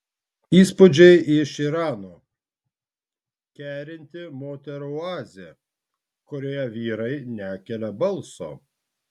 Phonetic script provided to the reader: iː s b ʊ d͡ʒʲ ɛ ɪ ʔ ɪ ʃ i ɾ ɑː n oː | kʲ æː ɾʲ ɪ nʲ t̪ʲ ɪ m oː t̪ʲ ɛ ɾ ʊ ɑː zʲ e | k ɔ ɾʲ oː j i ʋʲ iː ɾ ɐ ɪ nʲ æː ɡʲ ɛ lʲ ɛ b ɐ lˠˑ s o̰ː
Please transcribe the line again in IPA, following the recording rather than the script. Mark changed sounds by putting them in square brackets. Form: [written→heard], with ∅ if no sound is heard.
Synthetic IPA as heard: iː s [b→p] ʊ d͡ʒʲ ɛ ɪ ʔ ɪ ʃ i ɾ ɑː n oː | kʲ æː ɾʲ ɪ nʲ t̪ʲ ɪ m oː t̪ʲ ɛ ɾ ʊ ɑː zʲ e | k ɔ ɾʲ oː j [i→ɛ] ʋʲ iː ɾ ɐ ɪ nʲ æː [ɡʲ→kʲ] ɛ lʲ ɛ b ɐ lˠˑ s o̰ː